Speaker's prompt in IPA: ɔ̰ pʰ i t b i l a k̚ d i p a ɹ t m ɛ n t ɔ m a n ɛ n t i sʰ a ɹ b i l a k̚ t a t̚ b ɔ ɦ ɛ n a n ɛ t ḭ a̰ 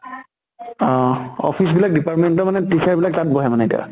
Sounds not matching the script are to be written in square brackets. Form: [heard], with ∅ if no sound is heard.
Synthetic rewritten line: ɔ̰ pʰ i [s] b i l a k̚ d i p a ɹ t m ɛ n t ɔ m a n ɛ [∅] t i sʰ a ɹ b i l a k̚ t a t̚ b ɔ ɦ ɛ [m] a n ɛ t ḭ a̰